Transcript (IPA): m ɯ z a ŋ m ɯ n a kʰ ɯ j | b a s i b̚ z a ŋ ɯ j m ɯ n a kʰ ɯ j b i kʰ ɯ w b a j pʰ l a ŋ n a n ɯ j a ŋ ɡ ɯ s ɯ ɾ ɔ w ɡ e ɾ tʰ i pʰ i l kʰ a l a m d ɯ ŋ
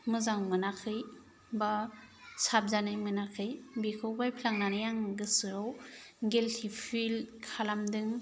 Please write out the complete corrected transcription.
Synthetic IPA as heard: m ɯ z a ŋ m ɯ n a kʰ ɯ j | b a s a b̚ z a n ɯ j m ɯ n a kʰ ɯ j b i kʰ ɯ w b a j pʰ l a ŋ n a n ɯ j a ŋ ɡ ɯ s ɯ ɾ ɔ w ɡ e l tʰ i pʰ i l kʰ a l a m d ɯ ŋ

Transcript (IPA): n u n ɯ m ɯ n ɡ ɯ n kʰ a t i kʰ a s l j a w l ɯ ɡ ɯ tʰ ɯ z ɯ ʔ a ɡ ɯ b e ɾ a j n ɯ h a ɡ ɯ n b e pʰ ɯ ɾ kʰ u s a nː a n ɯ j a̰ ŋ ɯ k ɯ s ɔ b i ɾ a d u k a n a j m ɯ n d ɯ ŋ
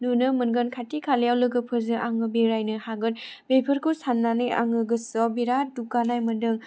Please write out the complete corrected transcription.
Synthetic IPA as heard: n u n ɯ m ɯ n ɡ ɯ n kʰ a t i kʰ a l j a w l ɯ ɡ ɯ pʰ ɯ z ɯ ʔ a ŋ ɯ b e ɾ a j n ɯ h a ɡ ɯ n b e pʰ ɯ ɾ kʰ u s a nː a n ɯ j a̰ ŋ ɯ ɡ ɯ s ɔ b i ɾ a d u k a n a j m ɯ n d ɯ ŋ

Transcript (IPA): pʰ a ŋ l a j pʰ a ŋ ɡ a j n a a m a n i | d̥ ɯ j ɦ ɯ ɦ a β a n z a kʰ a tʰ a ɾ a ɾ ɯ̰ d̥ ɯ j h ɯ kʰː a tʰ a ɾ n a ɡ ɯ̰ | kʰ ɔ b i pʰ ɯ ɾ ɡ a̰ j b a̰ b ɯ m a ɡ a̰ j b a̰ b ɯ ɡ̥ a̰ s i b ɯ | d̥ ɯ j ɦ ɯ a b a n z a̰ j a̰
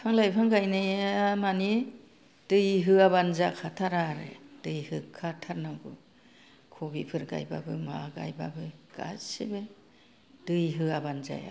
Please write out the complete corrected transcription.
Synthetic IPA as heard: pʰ a ŋ l a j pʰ a ŋ ɡ a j n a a m a n i | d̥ ɯ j ɦ ɯ a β a n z a kʰ a tʰ a ɾ a ɾ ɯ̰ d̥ ɯ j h ɯ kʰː a tʰ a ɾ n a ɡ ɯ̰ | kʰ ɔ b i pʰ ɯ ɾ ɡ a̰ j b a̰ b ɯ m a ɡ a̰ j b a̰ b ɯ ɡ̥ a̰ s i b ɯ | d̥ ɯ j ɦ ɯ a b a n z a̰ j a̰

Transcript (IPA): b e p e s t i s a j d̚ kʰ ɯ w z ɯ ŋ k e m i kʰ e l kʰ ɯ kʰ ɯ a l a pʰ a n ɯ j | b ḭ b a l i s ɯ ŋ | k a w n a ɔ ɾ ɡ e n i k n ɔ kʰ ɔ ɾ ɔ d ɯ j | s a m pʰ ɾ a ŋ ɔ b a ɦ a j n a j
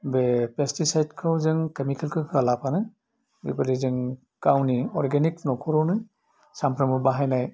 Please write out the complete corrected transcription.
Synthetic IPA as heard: b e p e s t i s a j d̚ kʰ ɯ w z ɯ ŋ k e m i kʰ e l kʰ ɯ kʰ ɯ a l a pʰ a n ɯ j | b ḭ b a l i z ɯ ŋ | k a w n i ɔ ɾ ɡ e n i k n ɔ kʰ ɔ ɾ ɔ n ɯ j | s a m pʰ ɾ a m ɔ b a ɦ a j n a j

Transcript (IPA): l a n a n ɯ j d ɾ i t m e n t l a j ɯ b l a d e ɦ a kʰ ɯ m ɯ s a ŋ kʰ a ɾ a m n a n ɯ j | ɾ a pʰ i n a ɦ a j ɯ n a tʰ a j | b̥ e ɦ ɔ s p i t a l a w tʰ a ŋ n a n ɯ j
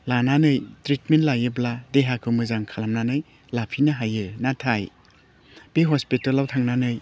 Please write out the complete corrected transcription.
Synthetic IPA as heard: l a n a n ɯ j t ɾ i t m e n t l a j ɯ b l a d e ɦ a kʰ ɯ m ɯ z a ŋ kʰ a l a m n a n ɯ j | l a pʰ i n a ɦ a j ɯ n a tʰ a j | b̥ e ɦ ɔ s p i t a l a w tʰ a ŋ n a n ɯ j

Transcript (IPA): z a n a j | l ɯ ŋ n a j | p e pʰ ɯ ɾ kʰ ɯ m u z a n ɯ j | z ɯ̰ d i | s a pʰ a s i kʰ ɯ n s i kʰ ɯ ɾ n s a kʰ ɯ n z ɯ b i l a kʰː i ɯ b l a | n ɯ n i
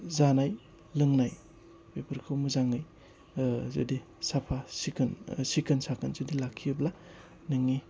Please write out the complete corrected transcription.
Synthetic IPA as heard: z a n a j | l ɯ ŋ n a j | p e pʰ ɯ ɾ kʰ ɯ m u z a ŋ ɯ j | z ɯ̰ d i | s a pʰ a s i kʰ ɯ n s i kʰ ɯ n s a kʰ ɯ n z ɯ d i l a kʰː i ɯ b l a | n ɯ ŋ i

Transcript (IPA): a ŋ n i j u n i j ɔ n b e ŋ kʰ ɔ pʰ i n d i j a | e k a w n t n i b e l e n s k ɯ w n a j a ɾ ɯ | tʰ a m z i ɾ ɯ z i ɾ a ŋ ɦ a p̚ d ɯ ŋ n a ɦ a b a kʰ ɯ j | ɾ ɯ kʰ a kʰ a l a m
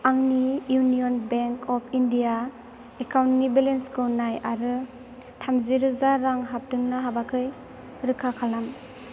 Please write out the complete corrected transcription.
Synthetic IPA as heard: a ŋ n i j u n i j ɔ n b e ŋ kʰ ɔ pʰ i n d i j a | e k a w n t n i b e l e n s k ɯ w n a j a ɾ ɯ | tʰ a m z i ɾ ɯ z a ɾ a ŋ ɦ a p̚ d ɯ ŋ n a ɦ a b a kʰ ɯ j | ɾ ɯ kʰ a kʰ a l a m

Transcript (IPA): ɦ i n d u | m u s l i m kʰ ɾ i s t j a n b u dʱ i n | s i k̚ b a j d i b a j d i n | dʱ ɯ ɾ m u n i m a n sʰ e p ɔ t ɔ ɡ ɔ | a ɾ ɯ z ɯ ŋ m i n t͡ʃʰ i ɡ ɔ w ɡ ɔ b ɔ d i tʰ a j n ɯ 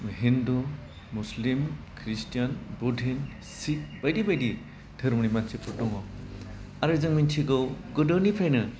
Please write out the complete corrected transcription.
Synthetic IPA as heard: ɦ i n d u | m u s l i m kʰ ɾ i s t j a n b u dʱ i n | s i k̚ b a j d i b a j d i | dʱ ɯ ɾ m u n i m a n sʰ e p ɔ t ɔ ŋ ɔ | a ɾ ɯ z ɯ ŋ m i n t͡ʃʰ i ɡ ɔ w ɡ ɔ d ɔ n i pʰ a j n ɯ

